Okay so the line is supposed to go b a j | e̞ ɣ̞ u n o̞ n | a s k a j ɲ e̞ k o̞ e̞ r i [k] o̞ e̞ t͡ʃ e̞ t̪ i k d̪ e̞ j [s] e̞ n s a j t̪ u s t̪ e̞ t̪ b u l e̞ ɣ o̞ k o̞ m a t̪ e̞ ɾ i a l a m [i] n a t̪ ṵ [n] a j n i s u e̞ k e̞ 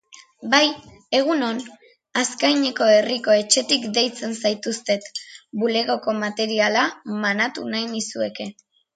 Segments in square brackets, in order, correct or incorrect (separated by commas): correct, incorrect, incorrect, correct